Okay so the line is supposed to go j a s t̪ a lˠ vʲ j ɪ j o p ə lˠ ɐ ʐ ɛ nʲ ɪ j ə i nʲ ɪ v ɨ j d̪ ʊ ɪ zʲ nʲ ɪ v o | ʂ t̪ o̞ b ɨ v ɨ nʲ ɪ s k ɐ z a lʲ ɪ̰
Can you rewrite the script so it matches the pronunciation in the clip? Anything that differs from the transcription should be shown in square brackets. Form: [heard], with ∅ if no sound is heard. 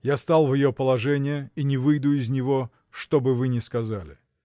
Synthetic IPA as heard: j a s t̪ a lˠ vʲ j ɪ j o p ə lˠ ɐ ʐ ɛ nʲ ɪ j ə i nʲ ɪ v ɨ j d̪ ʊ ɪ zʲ nʲ ɪ v o | ʂ t̪ o̞ b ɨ v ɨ nʲ ɪ s k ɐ z a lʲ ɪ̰